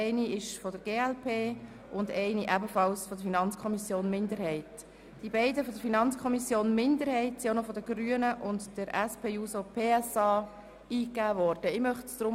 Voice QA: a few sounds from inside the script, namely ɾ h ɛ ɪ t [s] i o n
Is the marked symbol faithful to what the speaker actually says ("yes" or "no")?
yes